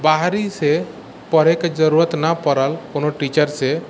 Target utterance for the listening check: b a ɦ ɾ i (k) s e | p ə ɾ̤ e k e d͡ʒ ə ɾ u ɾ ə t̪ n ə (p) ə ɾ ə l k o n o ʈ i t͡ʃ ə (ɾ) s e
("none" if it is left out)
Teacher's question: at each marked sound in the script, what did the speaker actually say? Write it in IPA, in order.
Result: none, p, ɾ

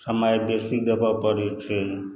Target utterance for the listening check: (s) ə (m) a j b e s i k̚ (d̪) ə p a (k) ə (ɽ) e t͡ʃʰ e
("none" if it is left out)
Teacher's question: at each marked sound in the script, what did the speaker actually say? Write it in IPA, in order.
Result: s, m, d̪, p, ɾ

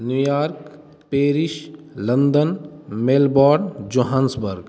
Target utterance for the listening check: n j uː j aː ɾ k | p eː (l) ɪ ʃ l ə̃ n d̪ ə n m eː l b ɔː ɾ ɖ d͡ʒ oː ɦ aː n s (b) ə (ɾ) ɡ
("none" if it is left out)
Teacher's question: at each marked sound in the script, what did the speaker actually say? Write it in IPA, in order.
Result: ɾ, b, ɾ

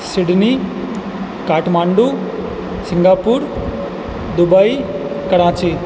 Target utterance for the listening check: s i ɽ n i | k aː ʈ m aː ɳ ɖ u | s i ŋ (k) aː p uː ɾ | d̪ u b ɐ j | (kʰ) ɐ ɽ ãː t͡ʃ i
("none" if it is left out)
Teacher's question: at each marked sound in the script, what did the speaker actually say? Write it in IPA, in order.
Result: ɡ, k

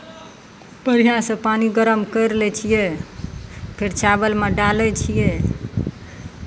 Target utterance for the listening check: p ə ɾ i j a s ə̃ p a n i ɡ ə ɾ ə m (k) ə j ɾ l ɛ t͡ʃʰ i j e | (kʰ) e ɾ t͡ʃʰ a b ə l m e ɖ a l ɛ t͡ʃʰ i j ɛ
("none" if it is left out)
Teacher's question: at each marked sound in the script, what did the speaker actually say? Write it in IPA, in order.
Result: k, pʰ

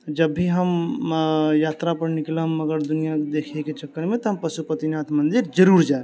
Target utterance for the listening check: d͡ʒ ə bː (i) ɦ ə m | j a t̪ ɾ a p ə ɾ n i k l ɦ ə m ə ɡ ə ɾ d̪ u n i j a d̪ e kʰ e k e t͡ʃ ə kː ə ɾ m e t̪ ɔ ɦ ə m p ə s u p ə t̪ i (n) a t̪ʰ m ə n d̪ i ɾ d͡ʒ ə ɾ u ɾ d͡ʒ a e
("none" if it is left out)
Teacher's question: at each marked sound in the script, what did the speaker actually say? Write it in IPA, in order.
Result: i, n

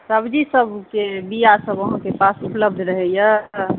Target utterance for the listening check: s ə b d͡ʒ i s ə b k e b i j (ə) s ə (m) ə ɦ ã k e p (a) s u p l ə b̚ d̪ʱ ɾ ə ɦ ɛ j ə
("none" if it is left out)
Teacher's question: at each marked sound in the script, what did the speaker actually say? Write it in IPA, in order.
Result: a, b, a

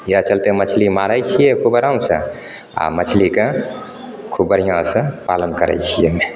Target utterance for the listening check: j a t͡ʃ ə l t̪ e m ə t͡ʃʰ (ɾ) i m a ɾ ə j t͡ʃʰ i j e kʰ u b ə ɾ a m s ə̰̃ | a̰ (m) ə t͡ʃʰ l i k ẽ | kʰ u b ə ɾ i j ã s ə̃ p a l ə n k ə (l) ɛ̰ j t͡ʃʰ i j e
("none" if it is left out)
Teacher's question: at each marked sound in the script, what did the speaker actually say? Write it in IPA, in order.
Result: l, m, ɾ

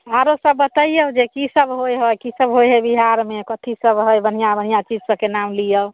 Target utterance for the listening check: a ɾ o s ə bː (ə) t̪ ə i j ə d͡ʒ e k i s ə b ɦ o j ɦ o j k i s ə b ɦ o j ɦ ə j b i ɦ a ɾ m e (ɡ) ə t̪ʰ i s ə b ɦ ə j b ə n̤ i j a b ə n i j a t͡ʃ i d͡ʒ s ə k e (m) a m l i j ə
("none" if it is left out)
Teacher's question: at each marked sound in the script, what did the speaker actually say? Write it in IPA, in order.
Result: ə, k, n

